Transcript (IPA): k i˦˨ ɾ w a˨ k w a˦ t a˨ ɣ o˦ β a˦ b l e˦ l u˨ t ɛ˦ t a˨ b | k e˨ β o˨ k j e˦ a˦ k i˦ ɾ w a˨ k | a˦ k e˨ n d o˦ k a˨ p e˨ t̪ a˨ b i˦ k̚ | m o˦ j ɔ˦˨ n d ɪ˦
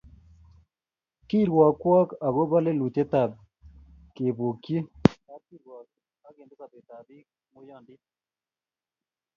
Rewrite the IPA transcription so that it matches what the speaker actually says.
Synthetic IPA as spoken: k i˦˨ ɾ w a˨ k w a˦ k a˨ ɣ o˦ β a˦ l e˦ l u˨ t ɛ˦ t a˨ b | k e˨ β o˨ k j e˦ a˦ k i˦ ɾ w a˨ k | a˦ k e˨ n d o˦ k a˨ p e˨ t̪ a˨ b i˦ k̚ | m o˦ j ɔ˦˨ n d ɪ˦